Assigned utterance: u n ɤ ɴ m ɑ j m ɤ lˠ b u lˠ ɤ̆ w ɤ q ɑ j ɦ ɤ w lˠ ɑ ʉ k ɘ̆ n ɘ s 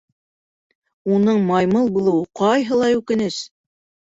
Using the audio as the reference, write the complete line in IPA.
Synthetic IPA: u n ɤ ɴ m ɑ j m ɤ lˠ b u lˠ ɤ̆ w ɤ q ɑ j ɦ ɤ lˠ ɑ ʉ k ɘ̆ n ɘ s